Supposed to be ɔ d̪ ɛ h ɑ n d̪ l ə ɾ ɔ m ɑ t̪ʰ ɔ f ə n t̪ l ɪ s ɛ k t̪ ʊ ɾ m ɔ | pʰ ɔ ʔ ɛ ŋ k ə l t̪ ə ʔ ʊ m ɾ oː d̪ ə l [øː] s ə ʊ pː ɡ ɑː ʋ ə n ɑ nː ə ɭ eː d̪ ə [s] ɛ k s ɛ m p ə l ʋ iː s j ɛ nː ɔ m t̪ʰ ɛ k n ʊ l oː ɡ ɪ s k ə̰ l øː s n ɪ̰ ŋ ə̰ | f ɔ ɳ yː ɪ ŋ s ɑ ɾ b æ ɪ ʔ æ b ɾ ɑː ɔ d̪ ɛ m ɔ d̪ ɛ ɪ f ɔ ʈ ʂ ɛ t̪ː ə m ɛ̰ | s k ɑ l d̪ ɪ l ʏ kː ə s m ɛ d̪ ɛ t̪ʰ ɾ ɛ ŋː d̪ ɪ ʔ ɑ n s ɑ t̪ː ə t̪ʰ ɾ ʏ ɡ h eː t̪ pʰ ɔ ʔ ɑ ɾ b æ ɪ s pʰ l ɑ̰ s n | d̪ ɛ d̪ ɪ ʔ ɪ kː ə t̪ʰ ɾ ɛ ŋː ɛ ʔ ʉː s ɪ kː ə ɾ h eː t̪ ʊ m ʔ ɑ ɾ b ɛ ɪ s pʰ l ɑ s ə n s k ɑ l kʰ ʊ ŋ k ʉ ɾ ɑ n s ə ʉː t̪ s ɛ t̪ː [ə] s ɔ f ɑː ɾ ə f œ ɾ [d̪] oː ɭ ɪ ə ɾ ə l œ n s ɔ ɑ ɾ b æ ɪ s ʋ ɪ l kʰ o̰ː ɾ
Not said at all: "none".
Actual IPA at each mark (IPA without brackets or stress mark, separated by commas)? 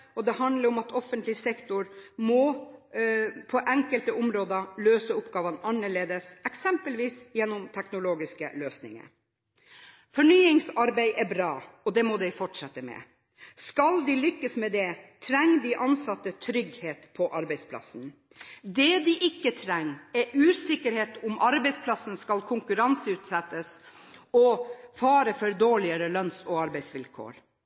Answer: øː, s, ə, d̪